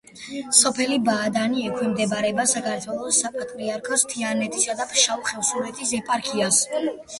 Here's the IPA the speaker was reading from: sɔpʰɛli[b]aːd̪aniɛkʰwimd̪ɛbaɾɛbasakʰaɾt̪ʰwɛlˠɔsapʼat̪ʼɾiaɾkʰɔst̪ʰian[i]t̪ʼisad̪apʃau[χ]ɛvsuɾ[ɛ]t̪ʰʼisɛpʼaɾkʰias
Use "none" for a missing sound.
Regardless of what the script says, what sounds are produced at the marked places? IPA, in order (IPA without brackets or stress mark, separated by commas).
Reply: b, ɛ, χ, ɛ